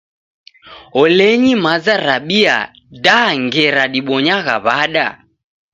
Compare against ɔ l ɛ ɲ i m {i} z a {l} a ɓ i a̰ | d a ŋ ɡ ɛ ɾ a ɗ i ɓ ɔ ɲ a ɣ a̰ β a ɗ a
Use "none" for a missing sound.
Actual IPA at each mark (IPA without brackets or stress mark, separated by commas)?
a, ɾ